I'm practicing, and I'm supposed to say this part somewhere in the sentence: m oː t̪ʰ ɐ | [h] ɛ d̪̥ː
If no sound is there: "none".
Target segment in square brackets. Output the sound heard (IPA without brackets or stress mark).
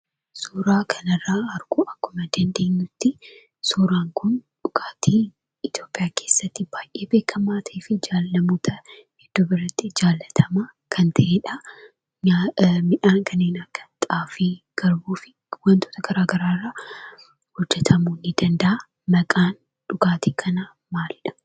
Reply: h